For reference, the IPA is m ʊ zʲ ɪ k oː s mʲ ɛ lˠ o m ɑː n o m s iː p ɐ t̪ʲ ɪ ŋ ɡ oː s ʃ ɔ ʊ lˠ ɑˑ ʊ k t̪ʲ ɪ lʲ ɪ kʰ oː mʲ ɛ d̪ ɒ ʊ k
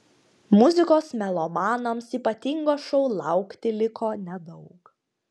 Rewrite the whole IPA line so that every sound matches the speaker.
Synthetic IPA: m ʊ zʲ ɪ k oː s mʲ ɛ lˠ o m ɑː n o m s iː p ɐ t̪ʲ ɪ ŋ ɡ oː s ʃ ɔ ʊ lˠ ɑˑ ʊ k t̪ʲ ɪ lʲ ɪ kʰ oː nʲ ɛ d̪ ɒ ʊ k